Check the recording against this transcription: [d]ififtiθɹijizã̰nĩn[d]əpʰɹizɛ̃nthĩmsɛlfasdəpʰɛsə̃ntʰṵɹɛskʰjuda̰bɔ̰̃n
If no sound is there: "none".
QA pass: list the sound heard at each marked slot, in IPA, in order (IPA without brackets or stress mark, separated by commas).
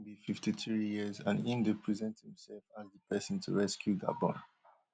b, d